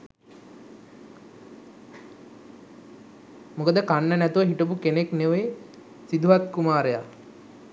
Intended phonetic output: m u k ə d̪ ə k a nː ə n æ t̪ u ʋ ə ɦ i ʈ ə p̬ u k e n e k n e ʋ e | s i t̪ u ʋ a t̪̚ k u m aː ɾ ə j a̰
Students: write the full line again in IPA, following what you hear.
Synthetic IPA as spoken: m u k ə d̪ ə k a nː ə n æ t̪ u ʋ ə ɦ i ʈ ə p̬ u k e n e k n e ʋ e | s i d̪ u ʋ a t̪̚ k u m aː ɾ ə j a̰